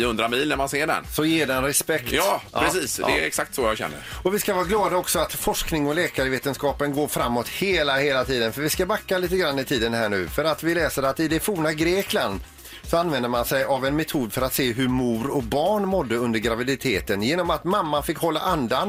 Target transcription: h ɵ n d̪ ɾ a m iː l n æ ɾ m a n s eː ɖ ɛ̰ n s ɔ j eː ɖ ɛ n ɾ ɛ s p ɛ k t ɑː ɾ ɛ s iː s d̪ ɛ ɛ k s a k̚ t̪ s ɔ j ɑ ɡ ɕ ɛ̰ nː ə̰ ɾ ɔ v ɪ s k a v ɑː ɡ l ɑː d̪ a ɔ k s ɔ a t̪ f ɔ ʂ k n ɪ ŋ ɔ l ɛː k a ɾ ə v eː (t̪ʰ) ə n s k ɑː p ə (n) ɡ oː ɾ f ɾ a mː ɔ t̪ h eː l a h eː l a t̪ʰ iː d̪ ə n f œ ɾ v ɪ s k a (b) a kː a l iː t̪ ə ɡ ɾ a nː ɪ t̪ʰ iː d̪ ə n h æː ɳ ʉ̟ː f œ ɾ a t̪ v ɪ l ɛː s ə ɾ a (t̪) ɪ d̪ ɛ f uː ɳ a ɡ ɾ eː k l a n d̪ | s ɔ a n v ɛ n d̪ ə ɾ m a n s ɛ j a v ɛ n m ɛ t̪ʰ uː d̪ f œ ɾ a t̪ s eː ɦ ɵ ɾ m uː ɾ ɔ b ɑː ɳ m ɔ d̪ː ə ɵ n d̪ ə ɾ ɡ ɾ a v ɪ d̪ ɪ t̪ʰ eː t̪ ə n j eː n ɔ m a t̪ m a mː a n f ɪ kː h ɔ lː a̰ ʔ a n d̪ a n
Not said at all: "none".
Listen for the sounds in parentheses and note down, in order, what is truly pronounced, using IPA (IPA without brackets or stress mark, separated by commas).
t̪, n, b, t̪